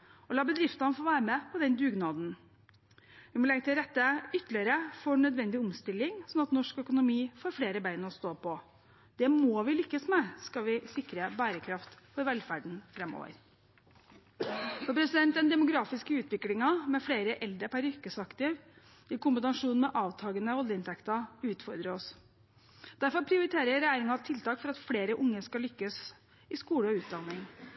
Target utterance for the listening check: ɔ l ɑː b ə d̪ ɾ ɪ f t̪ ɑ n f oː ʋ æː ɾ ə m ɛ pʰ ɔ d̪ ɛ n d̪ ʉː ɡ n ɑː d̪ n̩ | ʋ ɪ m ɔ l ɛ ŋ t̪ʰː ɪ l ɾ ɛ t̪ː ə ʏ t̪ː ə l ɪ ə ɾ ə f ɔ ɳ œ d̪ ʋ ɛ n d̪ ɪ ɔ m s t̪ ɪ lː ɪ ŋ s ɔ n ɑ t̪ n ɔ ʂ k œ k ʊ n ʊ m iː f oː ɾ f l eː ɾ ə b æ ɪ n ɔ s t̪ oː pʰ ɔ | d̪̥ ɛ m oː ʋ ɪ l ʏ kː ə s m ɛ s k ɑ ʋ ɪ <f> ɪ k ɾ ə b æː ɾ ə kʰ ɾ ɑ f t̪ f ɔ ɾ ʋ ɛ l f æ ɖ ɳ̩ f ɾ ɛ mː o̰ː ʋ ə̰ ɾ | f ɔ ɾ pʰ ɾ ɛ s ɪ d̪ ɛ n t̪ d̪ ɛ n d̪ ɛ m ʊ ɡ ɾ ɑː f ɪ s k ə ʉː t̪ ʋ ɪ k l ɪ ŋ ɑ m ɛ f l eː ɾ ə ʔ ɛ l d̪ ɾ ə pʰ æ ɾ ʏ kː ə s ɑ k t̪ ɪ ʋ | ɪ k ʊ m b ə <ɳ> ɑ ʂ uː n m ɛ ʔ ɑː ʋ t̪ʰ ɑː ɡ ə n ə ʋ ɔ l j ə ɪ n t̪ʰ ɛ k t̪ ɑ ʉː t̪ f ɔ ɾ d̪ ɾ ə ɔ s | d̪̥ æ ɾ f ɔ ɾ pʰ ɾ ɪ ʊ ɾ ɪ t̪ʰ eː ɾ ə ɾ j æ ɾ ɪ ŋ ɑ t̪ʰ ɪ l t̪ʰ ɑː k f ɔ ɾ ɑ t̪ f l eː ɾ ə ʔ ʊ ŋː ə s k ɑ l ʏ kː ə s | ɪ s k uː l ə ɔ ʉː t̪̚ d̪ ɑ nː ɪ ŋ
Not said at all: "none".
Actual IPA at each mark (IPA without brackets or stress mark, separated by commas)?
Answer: s, n